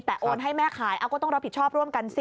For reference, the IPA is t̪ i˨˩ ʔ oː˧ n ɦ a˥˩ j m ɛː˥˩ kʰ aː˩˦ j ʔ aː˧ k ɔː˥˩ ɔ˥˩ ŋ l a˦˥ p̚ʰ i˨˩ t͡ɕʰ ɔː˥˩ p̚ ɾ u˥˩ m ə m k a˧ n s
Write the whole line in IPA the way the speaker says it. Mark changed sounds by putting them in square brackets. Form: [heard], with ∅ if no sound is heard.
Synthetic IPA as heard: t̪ [ɛ˨˩] ʔ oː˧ n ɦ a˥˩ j m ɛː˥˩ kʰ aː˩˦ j ʔ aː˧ k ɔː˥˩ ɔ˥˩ ŋ [ɾ] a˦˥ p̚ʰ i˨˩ t͡ɕʰ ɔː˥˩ p̚ ɾ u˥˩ [∅] ə m k a˧ n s